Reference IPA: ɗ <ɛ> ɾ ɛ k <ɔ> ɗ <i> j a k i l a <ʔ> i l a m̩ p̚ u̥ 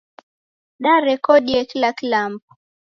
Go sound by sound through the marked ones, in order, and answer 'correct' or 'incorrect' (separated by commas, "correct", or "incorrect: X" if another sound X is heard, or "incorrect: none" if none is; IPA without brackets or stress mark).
incorrect: a, correct, correct, incorrect: k